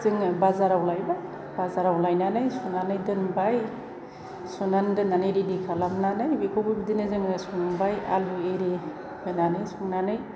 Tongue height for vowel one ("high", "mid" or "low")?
high